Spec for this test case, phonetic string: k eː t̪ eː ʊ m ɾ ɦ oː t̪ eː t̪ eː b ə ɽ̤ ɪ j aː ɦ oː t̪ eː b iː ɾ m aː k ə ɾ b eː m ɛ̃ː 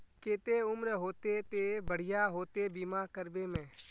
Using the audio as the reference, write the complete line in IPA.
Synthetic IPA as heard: k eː t̪ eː ʊ m ɾ ɦ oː t̪ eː t̪ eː b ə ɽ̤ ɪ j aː ɦ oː t̪ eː b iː m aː k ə ɾ b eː m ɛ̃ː